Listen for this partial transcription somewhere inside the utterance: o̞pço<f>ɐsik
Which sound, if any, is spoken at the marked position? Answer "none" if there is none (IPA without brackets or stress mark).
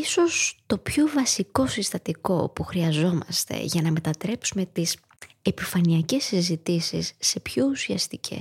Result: v